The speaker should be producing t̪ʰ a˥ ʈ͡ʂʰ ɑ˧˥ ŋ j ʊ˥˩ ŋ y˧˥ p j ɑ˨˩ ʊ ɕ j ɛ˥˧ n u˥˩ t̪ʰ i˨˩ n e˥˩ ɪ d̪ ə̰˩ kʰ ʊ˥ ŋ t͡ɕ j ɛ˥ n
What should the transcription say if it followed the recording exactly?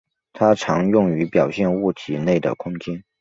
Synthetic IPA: t̪ʰ a˥ ʈ͡ʂʰ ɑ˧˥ ŋ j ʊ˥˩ ŋ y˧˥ p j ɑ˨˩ ʊ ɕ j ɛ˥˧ n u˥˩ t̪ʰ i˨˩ n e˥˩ ɪ d̪ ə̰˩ kʰ ʊ˥ ŋ t͡ɕ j ɛ˥ n

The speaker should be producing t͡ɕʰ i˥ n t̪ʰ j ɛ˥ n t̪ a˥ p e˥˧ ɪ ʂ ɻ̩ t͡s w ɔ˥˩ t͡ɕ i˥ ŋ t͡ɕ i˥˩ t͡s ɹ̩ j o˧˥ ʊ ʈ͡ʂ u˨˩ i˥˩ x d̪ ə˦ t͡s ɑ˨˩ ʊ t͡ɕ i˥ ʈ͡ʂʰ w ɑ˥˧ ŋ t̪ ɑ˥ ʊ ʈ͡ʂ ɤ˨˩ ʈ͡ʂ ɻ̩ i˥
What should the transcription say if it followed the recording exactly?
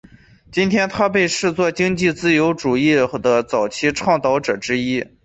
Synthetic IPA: t͡ɕ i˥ n t̪ʰ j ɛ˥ n t̪ʰ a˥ p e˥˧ ɪ ʂ ɻ̩ t͡s w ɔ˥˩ t͡ɕ i˥ ŋ t͡ɕ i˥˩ t͡s ɹ̩ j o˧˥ ʊ ʈ͡ʂ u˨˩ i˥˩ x d̪ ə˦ t͡s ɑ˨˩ ʊ t͡ɕʰ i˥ ʈ͡ʂʰ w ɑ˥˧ ŋ t̪ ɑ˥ ʊ ʈ͡ʂ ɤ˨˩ ʈ͡ʂ ɻ̩ i˥

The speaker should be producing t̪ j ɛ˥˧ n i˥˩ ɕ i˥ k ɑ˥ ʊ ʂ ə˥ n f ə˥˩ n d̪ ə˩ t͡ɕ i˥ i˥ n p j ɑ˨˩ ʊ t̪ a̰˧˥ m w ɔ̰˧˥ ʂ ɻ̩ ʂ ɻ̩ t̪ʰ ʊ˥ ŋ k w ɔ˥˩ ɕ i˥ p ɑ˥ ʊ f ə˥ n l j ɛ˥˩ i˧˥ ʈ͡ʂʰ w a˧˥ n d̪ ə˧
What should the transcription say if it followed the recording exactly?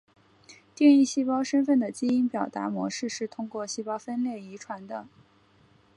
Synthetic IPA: t̪ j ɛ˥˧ n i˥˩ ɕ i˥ p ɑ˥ ʊ ʂ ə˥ n f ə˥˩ n d̪ ə˩ t͡ɕ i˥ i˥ n p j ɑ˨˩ ʊ t̪ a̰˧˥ m w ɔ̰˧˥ ʂ ɻ̩ ʂ ɻ̩ t̪ʰ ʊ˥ ŋ k w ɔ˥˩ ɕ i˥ p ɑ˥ ʊ f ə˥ n l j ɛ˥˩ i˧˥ ʈ͡ʂʰ w a˧˥ n d̪ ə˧

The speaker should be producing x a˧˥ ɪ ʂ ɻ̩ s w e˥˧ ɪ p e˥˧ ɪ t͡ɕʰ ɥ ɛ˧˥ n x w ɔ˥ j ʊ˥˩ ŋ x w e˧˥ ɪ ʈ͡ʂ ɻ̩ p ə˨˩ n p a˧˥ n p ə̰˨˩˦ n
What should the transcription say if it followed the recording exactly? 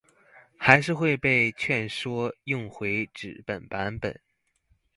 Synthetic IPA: x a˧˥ ɪ ʂ ɻ̩ x w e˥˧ ɪ p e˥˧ ɪ t͡ɕʰ ɥ ɛ˥˩ n ʂ w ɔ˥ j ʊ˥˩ ŋ x w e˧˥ ɪ ʈ͡ʂ ɻ̩ p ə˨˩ n p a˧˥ n p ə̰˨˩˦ n

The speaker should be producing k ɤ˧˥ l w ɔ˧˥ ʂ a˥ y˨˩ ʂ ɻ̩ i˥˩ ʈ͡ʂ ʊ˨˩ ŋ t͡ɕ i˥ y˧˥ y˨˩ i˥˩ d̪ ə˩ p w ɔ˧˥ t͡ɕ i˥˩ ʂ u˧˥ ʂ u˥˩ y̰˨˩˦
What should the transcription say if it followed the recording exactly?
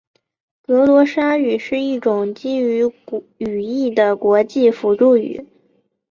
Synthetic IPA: k ɤ˧˥ l w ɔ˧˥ ʂ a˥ y˨˩ ʂ ɻ̩ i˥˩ ʈ͡ʂ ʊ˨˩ ŋ t͡ɕ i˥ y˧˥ y˨˩ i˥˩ d̪ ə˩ k w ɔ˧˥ t͡ɕ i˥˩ f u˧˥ ʈ͡ʂ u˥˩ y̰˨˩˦

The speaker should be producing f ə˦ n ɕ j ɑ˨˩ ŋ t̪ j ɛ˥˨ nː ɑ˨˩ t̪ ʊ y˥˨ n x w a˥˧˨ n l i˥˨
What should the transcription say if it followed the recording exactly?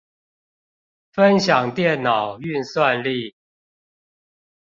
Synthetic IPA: f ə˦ n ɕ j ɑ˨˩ ŋ t̪ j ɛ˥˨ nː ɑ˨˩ ʊ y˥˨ n s w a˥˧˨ n l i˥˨

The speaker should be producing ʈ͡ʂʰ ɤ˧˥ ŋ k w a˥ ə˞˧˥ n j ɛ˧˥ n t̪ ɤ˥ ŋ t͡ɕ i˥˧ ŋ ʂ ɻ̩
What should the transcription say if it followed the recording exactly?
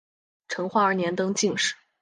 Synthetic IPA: ʈ͡ʂʰ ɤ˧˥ ŋ x w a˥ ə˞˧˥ n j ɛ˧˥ n t̪ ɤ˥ ŋ t͡ɕ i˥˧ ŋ ʂ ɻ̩

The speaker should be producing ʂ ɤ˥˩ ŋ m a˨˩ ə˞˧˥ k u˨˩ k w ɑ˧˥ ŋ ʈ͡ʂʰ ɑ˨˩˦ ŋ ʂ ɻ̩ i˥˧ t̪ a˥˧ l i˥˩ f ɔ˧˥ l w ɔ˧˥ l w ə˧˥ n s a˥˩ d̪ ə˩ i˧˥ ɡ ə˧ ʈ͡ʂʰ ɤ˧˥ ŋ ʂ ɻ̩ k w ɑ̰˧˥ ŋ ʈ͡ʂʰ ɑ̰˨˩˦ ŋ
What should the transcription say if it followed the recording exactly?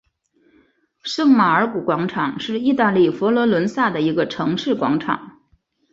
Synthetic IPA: ʂ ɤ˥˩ ŋ m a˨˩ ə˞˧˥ k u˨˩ k w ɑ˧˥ ŋ ʈ͡ʂʰ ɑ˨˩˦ ŋ ʂ ɻ̩ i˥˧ t̪ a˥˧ l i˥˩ f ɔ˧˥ l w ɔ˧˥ l w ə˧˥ n s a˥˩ d̪ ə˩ i˧˥ ɡ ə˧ ʈ͡ʂʰ ɤ˧˥ ŋ ʂ ɻ̩ k w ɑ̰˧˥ ŋ ʈ͡ʂʰ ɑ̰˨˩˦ ŋ

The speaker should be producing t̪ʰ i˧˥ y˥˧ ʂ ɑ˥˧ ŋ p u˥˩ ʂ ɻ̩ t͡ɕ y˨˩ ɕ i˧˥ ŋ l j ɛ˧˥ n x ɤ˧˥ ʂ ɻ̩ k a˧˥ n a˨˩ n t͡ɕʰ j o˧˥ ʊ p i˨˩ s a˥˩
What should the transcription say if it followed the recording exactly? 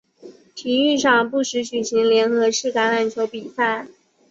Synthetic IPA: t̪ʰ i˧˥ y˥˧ ʂ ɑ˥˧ ŋ p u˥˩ ʂ ɻ̩ t͡ɕ y˨˩ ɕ i˧˥ ŋ l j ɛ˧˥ n x ɤ˧˥ ʂ ɻ̩ k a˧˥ n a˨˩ n t͡ɕʰ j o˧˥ ʊ p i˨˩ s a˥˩

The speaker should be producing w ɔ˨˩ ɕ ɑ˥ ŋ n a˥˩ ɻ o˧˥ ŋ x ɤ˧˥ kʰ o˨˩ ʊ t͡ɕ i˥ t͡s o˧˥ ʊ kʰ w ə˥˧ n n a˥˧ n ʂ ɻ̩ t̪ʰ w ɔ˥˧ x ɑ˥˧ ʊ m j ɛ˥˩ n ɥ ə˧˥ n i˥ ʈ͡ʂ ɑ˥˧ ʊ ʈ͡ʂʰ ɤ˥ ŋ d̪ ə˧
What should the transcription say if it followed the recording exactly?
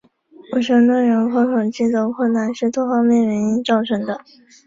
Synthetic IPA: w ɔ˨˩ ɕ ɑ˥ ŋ n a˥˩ ɻ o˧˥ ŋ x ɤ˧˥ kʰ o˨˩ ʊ t͡ɕ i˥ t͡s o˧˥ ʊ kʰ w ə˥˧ n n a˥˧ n ʂ ɻ̩ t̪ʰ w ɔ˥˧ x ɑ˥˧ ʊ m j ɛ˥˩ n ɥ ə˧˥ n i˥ ʈ͡ʂ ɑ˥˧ ʊ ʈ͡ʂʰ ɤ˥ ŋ d̪ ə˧

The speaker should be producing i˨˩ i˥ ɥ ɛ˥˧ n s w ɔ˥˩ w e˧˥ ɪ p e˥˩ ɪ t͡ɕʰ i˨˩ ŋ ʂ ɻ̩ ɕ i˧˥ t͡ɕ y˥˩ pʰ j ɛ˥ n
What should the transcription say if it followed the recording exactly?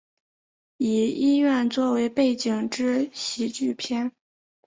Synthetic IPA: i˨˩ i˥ ɥ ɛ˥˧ n t͡s w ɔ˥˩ w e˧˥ ɪ p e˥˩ ɪ t͡ɕ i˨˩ ŋ ʈ͡ʂ ɻ̩ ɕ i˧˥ t͡ɕ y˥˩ pʰ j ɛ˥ n

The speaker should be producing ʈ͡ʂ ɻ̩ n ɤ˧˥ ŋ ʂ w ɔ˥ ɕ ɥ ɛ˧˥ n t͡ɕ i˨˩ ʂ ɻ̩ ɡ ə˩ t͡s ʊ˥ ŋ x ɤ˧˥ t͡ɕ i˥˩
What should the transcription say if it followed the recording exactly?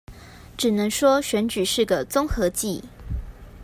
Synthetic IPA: ʈ͡ʂ ɻ̩ n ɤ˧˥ ŋ ʂ w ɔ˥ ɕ ɥ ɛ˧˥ n t͡ɕ y˨˩ ʂ ɻ̩ ɡ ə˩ t͡s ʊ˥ ŋ x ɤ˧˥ t͡ɕ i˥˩

